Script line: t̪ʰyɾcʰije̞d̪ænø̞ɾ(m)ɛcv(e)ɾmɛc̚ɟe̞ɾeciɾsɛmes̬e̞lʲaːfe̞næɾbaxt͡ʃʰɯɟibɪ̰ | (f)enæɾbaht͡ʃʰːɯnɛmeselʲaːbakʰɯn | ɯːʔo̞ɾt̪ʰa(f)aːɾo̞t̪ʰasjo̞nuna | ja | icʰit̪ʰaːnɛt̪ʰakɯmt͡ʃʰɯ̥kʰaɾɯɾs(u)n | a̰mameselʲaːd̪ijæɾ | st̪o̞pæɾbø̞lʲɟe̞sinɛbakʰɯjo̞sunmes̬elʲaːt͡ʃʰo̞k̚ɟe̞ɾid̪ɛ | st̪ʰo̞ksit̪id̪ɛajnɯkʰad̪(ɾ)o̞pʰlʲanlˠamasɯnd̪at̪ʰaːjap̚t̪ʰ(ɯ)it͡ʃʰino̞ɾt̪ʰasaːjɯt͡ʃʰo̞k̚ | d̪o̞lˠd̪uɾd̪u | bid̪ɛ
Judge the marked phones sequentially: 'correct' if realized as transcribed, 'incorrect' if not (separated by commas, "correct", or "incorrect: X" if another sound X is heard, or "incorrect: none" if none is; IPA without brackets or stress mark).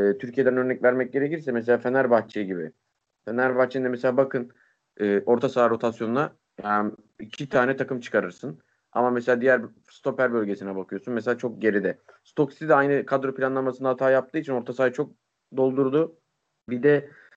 incorrect: n, incorrect: æ, correct, incorrect: s, incorrect: ɯ, correct, incorrect: ɯː